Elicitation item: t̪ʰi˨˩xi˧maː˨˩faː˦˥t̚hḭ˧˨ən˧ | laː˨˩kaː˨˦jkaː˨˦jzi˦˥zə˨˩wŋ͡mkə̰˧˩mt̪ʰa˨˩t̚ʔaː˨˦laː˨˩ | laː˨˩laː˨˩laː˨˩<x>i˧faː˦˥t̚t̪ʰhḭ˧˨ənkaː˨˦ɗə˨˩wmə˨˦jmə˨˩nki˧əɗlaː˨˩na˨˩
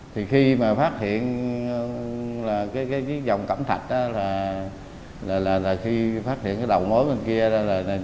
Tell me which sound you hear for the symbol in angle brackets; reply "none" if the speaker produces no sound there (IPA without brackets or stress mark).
x